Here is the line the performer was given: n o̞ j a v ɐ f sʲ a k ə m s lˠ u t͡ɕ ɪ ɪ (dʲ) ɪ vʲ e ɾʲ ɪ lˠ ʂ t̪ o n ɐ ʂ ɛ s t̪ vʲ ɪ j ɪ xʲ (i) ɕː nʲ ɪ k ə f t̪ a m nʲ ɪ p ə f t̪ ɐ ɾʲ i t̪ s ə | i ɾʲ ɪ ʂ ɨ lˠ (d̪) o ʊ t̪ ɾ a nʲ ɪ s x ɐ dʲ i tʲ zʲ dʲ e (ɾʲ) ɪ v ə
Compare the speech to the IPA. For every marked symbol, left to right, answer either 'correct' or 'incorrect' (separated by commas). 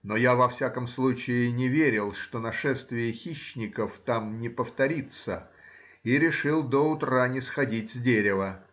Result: incorrect, correct, correct, correct